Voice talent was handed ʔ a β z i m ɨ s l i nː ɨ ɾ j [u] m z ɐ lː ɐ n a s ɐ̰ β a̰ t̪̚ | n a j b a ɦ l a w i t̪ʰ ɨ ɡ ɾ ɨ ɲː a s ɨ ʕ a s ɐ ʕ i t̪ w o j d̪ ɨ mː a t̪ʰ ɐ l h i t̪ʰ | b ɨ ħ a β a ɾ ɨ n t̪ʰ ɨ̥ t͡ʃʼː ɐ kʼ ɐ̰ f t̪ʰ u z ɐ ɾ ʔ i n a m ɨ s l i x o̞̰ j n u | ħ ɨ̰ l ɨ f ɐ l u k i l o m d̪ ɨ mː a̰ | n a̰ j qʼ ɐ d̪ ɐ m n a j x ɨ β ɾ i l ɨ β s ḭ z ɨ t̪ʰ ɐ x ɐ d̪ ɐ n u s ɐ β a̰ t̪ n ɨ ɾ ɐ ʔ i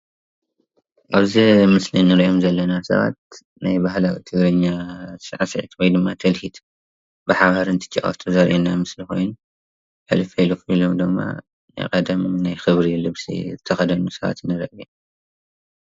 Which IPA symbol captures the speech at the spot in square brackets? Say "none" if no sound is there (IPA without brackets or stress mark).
o